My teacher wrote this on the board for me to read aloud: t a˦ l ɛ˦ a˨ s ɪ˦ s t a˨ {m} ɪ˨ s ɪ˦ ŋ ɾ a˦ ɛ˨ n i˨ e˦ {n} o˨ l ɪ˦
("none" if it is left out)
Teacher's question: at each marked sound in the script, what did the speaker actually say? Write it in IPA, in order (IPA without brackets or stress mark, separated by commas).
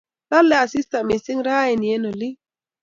m, n